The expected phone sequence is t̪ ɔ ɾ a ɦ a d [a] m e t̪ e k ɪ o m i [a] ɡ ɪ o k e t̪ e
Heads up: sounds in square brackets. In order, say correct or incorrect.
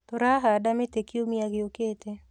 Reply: correct, correct

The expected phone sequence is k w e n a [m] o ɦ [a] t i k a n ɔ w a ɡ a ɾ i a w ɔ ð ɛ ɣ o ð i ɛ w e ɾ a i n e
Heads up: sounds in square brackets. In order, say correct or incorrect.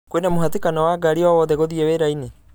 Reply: correct, correct

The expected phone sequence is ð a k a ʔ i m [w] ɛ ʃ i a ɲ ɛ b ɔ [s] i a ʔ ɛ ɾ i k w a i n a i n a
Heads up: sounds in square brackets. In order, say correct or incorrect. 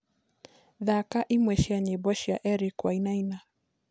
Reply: correct, incorrect

